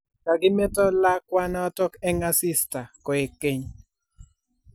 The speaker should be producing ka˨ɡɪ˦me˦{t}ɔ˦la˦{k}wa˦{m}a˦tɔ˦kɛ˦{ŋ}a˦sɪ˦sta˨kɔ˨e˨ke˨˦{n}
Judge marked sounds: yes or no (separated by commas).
yes, yes, no, yes, no